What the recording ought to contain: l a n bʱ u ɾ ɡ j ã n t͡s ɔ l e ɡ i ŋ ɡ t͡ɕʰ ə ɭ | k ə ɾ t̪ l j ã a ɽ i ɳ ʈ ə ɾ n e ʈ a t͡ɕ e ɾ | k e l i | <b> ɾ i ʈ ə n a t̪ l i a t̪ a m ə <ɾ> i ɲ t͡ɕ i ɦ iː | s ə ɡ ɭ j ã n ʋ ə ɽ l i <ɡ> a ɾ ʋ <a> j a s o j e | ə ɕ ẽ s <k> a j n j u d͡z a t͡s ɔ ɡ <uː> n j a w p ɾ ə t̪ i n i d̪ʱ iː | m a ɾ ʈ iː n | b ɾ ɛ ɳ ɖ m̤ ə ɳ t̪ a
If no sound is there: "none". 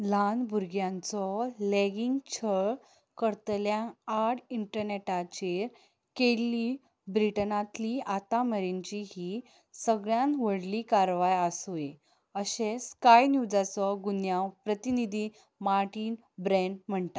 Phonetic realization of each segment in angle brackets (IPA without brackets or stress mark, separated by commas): b, ɾ, k, a, k, u